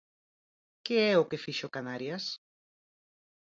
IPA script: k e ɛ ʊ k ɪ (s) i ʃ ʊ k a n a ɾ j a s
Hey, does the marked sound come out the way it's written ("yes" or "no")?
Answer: no